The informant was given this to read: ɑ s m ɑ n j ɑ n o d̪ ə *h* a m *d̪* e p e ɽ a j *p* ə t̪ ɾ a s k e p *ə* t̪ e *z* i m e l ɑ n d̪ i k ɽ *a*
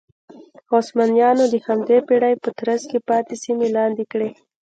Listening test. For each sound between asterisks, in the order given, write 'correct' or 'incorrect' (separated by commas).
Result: correct, correct, correct, incorrect, incorrect, incorrect